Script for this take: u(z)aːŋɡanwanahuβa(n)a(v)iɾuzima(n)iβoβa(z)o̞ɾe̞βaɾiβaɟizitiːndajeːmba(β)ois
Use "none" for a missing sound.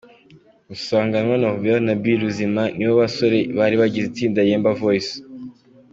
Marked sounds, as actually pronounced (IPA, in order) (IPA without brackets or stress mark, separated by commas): s, n, b, n, s, v